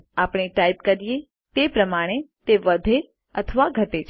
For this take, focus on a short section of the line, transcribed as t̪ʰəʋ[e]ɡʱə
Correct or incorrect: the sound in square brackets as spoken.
incorrect: a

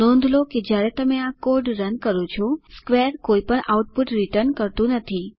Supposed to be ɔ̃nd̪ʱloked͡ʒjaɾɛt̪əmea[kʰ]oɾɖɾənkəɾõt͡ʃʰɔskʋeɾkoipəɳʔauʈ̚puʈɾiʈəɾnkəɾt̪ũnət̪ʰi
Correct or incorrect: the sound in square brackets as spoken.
incorrect: k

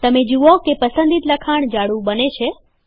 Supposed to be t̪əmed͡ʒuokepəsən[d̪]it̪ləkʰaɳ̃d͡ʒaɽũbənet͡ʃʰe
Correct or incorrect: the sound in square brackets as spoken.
correct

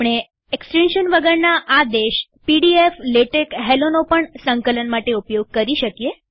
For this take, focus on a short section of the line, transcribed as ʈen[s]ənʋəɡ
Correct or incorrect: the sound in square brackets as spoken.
incorrect: ʃ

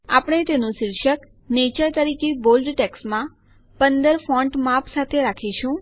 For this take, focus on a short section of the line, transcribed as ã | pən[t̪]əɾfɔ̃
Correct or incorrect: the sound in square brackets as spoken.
incorrect: d̪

